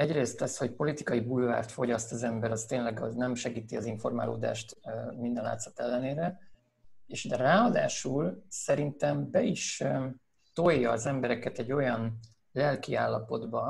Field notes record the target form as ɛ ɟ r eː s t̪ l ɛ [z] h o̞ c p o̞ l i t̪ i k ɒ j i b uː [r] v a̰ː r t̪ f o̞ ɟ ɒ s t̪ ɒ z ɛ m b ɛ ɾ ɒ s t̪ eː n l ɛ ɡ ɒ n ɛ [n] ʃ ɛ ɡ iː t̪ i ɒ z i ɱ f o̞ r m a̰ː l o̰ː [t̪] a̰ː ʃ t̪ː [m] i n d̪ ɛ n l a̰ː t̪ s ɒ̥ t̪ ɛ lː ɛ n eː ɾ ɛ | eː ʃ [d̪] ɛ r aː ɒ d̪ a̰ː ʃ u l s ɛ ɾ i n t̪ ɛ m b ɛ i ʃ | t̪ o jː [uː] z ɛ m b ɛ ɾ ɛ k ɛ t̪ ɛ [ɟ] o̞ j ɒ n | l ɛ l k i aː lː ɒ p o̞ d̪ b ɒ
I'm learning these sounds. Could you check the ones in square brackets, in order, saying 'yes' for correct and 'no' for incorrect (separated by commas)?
no, no, no, no, yes, yes, no, no